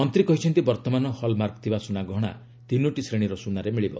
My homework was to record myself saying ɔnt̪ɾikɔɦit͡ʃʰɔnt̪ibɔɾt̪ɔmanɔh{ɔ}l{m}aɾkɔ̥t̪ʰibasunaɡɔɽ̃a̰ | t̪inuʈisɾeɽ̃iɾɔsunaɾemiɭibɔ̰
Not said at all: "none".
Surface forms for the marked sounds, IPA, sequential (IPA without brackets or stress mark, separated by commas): ɔ, m